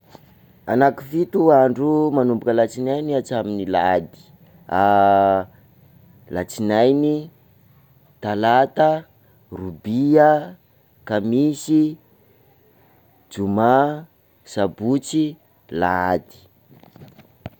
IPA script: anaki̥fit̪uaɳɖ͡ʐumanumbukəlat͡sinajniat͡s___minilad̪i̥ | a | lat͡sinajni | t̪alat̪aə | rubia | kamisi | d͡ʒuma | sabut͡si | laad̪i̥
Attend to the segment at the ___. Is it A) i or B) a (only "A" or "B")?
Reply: B